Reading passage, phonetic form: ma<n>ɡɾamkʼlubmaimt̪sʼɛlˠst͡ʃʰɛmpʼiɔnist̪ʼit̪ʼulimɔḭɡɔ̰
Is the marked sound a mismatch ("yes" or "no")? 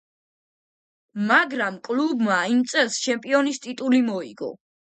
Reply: yes